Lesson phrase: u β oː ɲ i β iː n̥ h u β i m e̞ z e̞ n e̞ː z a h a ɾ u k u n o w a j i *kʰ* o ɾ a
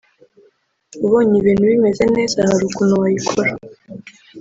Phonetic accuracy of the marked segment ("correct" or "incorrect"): correct